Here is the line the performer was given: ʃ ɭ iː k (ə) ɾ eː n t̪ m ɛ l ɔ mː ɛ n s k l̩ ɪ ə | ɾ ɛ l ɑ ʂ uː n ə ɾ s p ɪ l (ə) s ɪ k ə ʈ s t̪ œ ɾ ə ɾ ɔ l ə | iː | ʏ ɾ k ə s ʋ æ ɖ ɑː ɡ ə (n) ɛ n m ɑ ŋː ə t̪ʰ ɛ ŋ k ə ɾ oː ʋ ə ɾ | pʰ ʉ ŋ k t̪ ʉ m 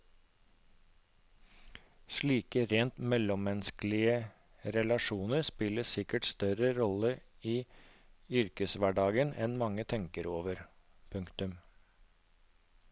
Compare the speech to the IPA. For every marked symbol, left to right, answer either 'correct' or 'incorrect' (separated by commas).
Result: correct, correct, correct